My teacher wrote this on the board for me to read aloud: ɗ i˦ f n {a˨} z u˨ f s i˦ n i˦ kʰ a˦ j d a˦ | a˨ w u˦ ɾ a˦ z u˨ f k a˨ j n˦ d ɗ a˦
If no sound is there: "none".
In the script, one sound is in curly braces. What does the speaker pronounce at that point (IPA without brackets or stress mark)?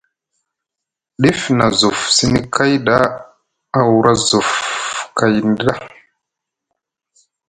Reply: a˨